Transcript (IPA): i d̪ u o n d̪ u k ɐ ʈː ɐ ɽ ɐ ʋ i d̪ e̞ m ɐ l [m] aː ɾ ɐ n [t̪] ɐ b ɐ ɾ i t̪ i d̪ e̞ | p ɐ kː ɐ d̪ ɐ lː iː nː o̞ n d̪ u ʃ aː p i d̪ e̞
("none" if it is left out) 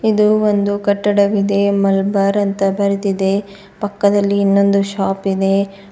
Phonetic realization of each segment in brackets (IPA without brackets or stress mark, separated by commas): b, t̪